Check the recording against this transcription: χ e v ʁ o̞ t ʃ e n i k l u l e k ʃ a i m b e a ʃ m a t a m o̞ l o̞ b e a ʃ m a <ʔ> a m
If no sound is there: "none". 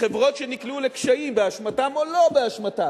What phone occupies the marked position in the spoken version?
t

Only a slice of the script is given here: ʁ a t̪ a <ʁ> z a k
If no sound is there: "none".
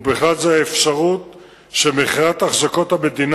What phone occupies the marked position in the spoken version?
χ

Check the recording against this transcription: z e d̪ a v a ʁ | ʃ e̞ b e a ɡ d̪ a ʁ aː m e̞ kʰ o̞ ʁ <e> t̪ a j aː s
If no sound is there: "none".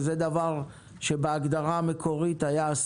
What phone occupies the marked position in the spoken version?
i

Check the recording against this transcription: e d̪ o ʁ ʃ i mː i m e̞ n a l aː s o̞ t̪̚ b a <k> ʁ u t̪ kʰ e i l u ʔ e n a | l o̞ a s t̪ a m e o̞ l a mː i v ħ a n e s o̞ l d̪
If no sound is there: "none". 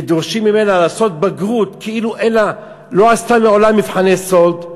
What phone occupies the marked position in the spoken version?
ɡ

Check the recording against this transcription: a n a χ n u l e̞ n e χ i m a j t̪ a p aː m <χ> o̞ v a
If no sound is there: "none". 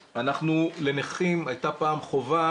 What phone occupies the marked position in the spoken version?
χ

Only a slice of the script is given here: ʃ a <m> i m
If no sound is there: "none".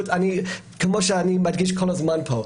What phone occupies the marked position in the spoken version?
n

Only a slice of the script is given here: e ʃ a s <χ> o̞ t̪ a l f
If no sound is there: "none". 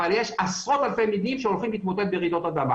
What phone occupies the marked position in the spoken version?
ʁ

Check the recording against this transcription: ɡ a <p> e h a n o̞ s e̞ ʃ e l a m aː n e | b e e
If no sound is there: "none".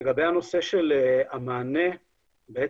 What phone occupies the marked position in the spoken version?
b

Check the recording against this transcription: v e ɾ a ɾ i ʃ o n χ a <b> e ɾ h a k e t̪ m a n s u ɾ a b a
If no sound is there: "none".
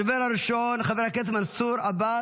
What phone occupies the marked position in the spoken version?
v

